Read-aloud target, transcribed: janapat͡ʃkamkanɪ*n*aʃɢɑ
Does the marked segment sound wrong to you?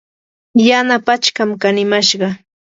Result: yes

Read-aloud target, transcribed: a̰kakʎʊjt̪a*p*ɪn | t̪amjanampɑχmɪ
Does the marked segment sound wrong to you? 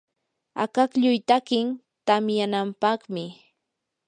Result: yes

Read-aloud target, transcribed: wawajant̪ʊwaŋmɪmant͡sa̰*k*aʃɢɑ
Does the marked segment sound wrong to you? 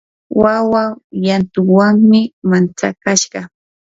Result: no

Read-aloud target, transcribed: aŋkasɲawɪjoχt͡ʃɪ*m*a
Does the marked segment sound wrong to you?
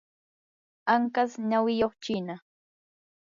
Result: yes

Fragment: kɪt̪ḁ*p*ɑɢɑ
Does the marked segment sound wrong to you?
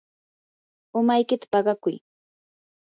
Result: no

